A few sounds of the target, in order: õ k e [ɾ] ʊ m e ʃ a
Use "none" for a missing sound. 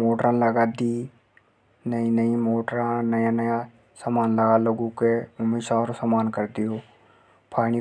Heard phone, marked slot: none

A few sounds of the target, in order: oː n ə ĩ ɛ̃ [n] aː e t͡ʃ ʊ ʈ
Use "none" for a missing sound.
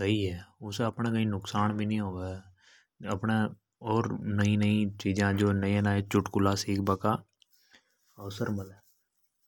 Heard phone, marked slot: n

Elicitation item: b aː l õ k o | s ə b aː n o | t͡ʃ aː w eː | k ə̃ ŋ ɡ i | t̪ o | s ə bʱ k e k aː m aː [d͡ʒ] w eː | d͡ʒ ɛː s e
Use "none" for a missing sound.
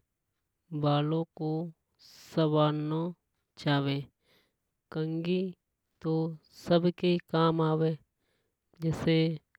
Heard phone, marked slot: none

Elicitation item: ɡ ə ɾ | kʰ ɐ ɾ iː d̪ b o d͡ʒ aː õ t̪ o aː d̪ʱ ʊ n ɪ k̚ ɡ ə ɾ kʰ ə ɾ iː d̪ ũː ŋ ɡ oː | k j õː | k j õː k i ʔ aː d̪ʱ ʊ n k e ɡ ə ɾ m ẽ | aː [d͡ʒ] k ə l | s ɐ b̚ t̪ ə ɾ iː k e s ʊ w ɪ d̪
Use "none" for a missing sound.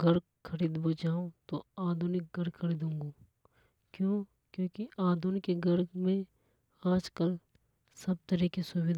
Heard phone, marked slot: d͡ʒ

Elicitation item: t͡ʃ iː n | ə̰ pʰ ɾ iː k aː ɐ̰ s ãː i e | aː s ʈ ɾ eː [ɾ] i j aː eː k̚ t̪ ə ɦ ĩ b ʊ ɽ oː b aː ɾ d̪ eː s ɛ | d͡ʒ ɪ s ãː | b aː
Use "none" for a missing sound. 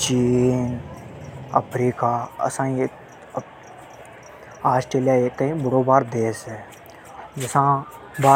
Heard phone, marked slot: l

